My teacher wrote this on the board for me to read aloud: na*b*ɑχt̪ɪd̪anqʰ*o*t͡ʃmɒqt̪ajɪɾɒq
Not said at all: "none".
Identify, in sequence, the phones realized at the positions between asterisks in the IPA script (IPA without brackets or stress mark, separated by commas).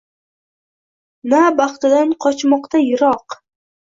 b, ɒ